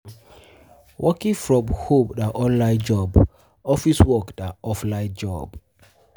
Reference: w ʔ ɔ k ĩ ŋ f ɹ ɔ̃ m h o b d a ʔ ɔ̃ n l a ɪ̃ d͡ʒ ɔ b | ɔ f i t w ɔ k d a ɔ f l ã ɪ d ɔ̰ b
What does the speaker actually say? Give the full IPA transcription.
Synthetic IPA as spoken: w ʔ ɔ k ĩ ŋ f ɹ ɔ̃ m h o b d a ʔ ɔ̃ n l a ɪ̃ d͡ʒ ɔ b | ɔ f i s w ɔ k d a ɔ f l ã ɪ d͡ʒ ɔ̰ b